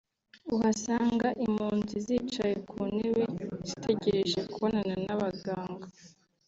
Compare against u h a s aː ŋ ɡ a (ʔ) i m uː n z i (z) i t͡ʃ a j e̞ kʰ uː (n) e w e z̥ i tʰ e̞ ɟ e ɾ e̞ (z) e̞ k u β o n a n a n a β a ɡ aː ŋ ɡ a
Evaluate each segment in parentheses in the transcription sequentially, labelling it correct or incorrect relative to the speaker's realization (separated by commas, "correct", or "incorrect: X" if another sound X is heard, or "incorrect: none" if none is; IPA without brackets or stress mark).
correct, correct, correct, incorrect: ʒ